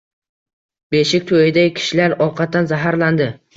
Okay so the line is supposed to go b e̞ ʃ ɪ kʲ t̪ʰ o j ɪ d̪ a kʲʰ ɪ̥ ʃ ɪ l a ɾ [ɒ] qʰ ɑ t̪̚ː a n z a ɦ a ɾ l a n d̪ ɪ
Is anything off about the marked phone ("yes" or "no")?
no